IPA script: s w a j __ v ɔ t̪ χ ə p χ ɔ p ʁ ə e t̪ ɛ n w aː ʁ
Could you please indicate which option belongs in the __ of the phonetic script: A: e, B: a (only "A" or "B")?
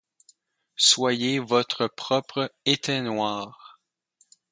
A